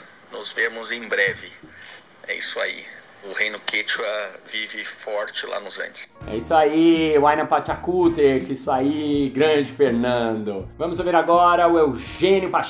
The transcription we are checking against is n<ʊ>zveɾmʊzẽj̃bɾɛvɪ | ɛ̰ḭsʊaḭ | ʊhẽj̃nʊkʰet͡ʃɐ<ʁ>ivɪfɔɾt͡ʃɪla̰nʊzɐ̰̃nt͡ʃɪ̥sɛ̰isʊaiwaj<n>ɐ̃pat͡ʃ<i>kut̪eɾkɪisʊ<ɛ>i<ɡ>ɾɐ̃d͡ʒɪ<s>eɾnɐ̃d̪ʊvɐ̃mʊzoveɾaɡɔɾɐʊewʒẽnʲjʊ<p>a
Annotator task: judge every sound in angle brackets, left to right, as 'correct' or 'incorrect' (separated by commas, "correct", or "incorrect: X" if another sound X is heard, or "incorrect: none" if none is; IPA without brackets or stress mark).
correct, incorrect: v, correct, incorrect: a, incorrect: a, correct, incorrect: f, correct